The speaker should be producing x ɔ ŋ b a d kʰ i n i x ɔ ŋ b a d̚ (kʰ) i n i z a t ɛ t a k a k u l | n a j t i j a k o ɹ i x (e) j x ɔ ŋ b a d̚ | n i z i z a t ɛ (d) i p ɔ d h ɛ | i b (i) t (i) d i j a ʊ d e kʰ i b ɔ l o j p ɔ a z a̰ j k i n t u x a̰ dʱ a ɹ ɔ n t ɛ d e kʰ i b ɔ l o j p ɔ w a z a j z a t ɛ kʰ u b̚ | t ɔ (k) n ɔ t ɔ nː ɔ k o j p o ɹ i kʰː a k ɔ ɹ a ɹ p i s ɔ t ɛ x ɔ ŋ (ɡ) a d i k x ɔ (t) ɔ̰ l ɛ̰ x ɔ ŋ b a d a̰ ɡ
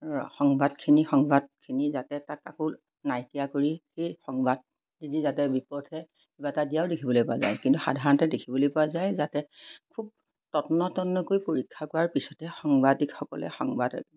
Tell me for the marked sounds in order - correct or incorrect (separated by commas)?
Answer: correct, correct, incorrect, incorrect, incorrect, incorrect, incorrect, incorrect